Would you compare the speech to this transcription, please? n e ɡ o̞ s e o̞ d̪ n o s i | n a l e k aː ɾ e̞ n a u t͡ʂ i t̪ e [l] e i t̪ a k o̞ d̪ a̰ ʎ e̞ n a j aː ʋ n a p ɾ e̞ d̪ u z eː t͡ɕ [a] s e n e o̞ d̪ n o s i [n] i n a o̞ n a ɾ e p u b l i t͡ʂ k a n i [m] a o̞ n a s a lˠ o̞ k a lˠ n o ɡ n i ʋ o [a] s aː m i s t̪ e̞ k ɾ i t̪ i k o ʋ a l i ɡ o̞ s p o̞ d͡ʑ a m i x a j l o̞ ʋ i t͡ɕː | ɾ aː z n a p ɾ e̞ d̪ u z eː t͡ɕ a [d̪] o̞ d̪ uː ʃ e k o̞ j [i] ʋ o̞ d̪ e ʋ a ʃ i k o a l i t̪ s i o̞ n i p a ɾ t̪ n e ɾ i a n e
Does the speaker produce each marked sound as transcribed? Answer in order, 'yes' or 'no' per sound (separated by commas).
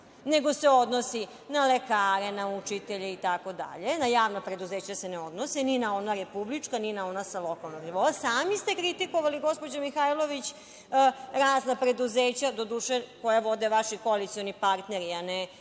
no, yes, yes, no, yes, yes, no